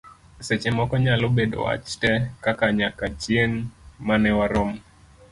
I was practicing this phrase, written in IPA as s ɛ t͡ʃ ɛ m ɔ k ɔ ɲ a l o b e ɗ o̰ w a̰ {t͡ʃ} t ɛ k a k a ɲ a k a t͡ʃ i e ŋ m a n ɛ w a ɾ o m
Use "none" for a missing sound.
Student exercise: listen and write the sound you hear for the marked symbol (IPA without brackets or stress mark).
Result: t͡ʃ